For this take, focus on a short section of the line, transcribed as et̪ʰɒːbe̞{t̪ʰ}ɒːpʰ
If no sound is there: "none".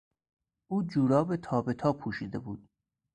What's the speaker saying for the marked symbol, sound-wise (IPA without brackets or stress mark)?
t̪ʰ